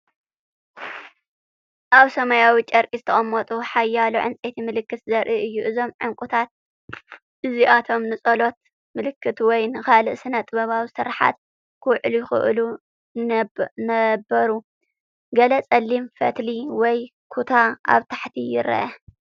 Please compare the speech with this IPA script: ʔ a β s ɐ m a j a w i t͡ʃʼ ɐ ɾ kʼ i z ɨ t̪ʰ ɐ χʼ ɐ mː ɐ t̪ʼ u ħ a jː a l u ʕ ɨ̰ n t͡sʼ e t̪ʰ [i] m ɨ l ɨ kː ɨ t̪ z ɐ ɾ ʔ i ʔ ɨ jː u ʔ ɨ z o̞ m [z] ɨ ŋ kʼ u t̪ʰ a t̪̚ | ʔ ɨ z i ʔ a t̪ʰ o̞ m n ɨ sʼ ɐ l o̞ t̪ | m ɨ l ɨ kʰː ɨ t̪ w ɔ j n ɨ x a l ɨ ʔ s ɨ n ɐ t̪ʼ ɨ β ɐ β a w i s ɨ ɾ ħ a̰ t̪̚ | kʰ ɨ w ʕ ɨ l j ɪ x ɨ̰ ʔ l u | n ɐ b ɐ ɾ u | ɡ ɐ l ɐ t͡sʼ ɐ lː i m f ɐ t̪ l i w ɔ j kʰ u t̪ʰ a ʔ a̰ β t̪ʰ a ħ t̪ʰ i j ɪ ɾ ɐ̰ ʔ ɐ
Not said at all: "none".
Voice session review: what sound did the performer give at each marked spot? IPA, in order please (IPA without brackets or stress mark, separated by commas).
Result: i, ʕ